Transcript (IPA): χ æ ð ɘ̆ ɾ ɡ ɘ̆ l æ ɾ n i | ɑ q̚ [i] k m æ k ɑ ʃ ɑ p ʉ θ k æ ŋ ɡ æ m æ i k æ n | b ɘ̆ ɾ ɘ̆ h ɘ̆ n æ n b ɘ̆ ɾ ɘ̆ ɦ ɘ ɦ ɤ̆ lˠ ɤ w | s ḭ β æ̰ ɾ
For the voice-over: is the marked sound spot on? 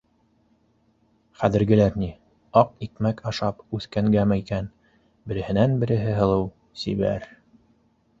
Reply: yes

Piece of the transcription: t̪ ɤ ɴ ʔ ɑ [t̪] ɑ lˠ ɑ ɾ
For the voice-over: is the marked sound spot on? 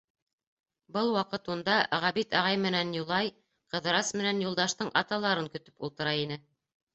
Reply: yes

